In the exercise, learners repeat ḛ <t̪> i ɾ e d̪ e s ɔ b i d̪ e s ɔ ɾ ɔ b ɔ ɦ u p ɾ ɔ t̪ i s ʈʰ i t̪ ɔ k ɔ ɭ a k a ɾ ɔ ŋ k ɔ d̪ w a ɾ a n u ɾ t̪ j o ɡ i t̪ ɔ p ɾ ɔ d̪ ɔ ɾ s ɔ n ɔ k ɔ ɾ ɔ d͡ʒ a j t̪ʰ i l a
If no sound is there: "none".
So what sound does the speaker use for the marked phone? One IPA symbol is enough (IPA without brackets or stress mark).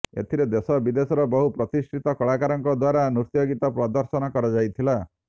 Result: t̪ʰ